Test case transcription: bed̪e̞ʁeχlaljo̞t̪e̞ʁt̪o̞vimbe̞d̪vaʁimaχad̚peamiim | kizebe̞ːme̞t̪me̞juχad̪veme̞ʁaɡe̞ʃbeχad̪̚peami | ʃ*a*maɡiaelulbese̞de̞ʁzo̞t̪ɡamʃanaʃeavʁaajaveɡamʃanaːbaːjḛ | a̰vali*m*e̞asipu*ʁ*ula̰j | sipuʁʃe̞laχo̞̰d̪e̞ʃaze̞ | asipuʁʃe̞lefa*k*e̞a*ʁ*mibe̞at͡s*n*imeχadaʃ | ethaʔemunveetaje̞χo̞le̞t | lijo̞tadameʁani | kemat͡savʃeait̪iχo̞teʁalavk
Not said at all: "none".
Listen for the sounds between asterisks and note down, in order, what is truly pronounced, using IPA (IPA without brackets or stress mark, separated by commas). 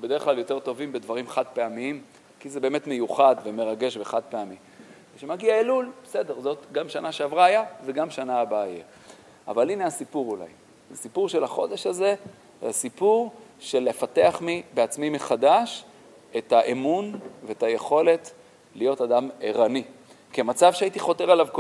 e, n, ʁ, t, χ, m